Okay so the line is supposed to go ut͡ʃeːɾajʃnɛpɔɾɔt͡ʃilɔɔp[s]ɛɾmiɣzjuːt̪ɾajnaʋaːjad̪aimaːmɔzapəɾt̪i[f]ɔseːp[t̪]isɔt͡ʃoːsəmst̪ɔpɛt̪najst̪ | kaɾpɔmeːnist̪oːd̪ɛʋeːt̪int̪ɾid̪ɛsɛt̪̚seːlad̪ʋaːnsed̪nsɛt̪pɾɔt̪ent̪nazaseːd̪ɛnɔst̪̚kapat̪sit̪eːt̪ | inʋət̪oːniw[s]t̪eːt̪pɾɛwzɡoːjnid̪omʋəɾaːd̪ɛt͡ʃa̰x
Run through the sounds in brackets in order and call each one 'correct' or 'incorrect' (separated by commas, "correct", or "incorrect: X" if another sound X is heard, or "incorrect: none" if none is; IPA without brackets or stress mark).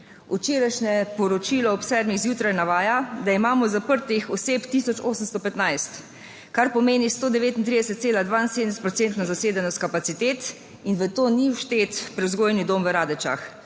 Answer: correct, incorrect: x, correct, incorrect: ʃ